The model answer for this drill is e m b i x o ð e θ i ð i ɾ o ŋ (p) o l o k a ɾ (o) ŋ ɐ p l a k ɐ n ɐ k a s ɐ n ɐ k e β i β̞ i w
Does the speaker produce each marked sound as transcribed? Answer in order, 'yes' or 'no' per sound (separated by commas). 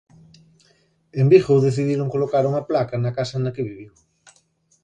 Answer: no, no